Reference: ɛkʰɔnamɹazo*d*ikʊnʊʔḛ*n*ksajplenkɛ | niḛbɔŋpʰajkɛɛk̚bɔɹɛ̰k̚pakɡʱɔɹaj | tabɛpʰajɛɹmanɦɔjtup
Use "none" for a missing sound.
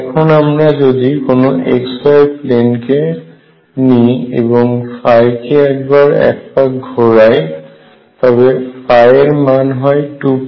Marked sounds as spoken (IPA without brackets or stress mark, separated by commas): d, none